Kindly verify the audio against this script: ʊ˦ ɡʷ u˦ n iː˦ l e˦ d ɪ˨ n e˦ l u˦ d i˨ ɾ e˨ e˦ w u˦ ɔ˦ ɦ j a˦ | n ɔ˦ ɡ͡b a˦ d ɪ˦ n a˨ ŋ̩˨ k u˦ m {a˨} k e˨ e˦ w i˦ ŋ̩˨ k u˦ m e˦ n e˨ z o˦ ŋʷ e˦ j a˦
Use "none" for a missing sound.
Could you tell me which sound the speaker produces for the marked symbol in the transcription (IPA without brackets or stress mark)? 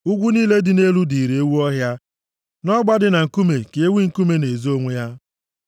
e˨